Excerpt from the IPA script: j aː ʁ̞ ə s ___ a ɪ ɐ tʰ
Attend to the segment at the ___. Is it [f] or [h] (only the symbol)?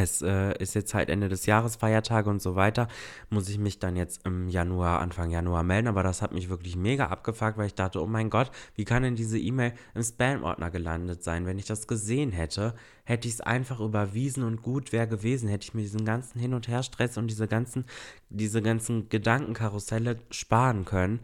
f